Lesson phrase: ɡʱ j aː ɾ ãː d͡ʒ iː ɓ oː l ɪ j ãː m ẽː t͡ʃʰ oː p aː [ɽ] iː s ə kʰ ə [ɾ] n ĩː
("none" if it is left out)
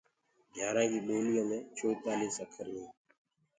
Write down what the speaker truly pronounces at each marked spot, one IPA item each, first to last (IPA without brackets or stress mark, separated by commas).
l, ɾ